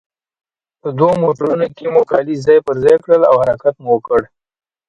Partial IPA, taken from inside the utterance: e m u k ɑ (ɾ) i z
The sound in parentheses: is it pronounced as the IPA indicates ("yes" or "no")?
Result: no